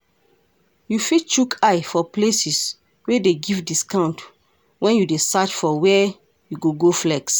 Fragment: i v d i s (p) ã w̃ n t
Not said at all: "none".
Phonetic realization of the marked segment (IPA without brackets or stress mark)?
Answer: k